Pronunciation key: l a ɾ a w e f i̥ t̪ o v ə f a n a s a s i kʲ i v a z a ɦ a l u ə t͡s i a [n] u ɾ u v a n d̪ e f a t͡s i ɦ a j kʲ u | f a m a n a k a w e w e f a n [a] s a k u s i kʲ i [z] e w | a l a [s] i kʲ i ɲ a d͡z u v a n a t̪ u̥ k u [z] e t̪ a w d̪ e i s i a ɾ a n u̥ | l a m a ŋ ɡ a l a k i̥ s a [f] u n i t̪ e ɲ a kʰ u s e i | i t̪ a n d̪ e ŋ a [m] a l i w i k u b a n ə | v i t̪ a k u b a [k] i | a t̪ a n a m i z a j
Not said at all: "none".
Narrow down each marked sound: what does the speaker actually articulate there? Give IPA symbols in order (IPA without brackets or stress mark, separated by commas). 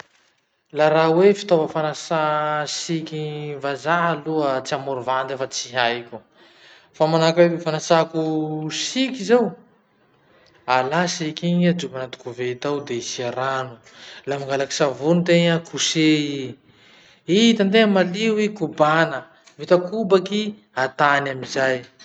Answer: m, a, z, s, v, v, m, k